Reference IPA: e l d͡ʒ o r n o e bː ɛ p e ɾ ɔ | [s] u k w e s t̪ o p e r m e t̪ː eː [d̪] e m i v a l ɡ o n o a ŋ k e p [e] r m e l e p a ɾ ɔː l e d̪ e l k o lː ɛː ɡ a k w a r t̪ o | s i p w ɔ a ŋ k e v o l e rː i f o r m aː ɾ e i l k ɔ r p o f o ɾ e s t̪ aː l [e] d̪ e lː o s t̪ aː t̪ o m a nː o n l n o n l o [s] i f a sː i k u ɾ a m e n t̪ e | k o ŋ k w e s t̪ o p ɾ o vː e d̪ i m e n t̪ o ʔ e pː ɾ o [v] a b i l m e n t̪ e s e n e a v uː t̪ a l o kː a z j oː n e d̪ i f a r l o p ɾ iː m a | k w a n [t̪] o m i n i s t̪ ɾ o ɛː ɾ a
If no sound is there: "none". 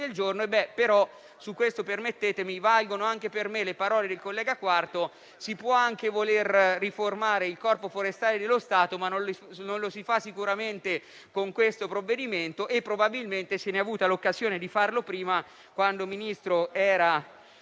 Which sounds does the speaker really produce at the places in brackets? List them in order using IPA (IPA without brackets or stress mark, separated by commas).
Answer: s, t̪, e, e, s, b, d̪